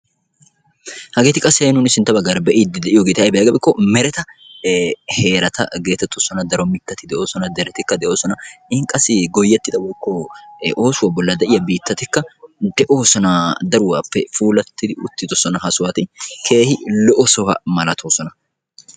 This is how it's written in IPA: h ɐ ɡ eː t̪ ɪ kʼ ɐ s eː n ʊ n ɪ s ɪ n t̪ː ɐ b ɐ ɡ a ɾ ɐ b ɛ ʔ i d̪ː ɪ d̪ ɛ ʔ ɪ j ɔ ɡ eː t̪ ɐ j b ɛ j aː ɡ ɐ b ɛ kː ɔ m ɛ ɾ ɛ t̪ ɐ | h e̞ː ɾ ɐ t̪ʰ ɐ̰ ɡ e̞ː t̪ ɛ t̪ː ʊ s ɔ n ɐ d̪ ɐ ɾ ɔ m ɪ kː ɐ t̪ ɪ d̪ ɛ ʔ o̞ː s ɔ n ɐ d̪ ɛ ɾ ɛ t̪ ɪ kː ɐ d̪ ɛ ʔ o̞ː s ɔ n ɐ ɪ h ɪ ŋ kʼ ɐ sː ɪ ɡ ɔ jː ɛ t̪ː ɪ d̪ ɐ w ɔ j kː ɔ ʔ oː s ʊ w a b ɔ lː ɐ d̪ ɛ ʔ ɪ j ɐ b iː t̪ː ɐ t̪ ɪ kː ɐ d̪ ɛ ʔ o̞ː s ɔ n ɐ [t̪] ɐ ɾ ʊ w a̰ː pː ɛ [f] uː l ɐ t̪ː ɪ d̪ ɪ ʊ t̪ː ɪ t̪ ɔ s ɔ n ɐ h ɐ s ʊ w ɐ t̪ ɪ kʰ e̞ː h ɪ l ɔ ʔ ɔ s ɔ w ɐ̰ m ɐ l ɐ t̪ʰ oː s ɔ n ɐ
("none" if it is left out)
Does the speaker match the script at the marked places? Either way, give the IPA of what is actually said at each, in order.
d̪, f

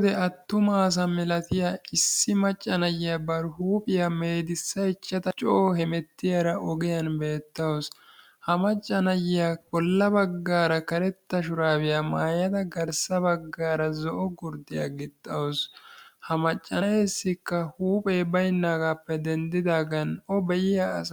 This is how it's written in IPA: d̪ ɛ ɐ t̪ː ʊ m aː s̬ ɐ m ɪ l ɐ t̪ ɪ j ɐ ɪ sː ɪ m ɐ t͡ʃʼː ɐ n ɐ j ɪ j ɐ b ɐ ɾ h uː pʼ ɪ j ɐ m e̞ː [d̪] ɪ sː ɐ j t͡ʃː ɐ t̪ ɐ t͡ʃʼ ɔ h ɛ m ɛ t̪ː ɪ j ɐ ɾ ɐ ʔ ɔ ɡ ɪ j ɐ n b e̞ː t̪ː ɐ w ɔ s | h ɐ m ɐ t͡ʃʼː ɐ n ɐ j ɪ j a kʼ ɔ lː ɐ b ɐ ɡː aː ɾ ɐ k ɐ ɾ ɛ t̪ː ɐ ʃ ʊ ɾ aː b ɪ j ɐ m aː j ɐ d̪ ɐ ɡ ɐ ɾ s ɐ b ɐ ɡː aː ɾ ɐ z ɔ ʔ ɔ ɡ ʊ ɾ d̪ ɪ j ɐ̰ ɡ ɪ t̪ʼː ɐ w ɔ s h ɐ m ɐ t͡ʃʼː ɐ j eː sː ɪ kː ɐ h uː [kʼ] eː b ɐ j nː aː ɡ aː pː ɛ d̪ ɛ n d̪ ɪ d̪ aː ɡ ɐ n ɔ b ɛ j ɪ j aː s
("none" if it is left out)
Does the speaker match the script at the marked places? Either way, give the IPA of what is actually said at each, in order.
d̪, pʼ

